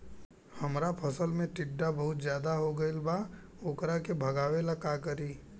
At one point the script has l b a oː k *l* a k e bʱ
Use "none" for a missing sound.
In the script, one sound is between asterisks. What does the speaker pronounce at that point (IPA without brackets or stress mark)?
ɾ